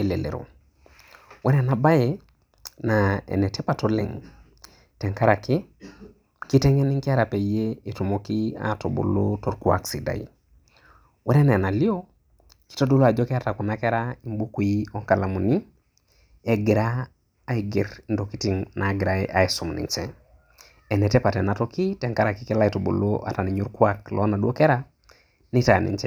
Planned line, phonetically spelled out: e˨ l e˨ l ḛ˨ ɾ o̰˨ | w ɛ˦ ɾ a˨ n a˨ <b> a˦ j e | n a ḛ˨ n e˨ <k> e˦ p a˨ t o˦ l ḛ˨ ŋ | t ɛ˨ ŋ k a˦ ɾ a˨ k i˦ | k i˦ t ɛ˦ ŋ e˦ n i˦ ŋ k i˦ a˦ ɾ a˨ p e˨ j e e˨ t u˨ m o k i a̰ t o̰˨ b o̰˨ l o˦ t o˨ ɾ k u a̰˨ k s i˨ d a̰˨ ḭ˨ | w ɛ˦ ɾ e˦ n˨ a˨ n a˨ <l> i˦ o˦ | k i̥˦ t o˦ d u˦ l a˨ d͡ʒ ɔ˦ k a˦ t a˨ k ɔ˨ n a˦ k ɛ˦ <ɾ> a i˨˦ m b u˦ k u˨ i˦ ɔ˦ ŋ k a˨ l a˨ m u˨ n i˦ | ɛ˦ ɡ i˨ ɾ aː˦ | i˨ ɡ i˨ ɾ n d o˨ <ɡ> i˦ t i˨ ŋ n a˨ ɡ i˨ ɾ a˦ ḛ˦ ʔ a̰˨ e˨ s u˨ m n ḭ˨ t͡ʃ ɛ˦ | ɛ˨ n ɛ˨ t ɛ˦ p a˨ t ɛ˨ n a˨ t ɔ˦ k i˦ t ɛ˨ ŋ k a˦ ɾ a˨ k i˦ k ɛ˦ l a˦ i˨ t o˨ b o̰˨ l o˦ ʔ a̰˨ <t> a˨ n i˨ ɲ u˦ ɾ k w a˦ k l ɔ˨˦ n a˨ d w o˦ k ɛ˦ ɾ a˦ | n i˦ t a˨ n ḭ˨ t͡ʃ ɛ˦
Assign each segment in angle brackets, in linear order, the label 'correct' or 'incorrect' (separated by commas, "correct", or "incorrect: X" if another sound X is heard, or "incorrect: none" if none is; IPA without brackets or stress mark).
correct, incorrect: t, correct, correct, incorrect: k, correct